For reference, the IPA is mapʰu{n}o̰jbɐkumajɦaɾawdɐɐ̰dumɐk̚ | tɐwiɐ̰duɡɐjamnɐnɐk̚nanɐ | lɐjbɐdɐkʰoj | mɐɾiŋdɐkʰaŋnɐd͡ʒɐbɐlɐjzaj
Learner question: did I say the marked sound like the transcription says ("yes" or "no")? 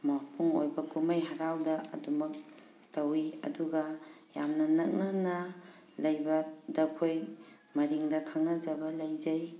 no